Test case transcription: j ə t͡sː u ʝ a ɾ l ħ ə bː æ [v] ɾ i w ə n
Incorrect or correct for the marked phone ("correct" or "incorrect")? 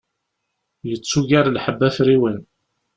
incorrect